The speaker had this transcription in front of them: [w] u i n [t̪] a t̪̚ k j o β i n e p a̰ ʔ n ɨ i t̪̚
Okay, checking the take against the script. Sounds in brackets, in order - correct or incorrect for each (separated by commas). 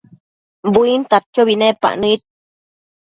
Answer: incorrect, correct